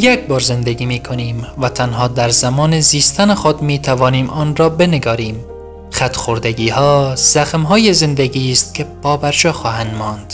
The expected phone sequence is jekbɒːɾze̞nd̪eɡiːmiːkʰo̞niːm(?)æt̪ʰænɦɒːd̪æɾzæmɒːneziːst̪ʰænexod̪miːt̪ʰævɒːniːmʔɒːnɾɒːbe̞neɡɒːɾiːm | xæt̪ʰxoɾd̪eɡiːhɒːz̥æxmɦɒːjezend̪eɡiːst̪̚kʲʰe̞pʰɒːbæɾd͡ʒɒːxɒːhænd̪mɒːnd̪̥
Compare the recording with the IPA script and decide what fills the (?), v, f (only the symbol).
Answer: v